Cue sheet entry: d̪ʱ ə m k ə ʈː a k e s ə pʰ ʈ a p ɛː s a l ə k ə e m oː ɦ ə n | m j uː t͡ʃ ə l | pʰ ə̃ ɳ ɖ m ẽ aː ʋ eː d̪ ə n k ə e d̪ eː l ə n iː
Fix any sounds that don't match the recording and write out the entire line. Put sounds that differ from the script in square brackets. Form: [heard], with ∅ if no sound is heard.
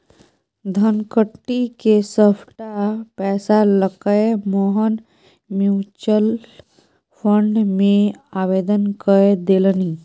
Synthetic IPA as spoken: d̪ʱ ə [n] k ə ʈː [i] k e s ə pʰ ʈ a p ɛː s a l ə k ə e m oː ɦ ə n | m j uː t͡ʃ ə l | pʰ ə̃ ɳ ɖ m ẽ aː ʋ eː d̪ ə n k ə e d̪ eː l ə n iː